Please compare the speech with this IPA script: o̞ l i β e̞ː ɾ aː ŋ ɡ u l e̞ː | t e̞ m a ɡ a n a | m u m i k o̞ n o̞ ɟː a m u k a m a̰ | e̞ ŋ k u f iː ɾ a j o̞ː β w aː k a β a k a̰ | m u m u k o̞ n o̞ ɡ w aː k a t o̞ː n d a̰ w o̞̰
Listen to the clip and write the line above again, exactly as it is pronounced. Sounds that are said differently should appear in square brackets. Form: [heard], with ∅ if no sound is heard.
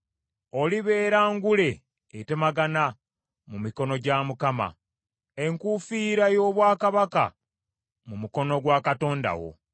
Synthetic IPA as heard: o̞ l i β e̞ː ɾ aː ŋ ɡ u l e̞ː | t e̞ m a ɡ a n a | m u m i k o̞ n o̞ [ɟ] a m u k a m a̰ | e̞ ŋ k u f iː ɾ a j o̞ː β w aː k a β a k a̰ | m u m u k o̞ n o̞ ɡ w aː k a t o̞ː n d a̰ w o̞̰